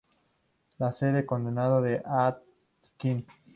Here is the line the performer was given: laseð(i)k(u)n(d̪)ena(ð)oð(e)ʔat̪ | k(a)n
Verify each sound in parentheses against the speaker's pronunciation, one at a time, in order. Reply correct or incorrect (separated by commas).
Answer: incorrect, incorrect, correct, correct, correct, incorrect